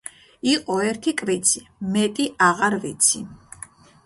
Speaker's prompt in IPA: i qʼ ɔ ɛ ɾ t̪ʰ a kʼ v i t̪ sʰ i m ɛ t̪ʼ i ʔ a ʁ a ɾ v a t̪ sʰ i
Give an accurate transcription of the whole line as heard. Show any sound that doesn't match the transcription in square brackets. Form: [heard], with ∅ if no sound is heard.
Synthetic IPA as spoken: i qʼ ɔ ɛ ɾ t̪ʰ [i] kʼ v i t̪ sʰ i m ɛ t̪ʼ i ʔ a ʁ a ɾ v [i] t̪ sʰ i